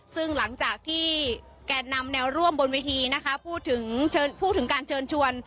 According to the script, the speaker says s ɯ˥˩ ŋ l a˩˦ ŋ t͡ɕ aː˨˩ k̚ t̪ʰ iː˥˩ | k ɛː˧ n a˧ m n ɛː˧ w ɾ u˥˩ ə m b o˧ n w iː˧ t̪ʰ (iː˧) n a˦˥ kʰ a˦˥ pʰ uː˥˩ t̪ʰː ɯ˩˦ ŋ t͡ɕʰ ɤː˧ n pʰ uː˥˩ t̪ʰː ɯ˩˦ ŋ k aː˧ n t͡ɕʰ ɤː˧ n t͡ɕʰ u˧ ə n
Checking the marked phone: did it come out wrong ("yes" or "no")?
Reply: no